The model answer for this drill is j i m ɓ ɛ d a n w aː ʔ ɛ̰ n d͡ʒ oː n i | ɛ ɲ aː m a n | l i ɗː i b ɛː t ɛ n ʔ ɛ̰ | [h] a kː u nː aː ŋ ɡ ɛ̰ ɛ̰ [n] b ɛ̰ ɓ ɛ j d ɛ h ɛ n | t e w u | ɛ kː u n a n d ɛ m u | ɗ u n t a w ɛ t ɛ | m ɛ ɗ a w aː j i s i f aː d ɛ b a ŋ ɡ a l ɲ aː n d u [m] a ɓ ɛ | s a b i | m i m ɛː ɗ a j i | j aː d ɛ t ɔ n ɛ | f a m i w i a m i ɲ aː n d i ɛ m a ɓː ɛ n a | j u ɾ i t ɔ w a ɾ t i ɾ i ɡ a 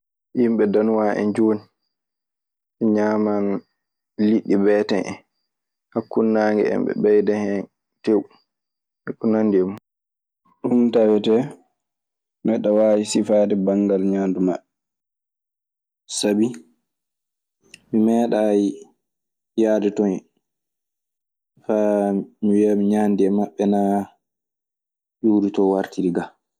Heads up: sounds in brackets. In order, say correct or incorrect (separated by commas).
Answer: correct, incorrect, correct